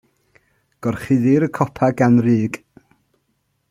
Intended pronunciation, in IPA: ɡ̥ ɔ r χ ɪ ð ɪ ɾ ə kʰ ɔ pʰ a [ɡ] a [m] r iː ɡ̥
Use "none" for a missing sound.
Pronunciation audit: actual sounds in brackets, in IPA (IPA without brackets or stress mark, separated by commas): ɡ, n